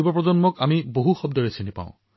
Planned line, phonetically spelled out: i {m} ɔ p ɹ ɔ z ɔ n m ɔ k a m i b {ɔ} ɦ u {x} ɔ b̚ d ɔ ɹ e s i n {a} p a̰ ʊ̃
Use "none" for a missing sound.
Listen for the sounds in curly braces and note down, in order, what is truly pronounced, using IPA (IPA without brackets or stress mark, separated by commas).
b, o, x, i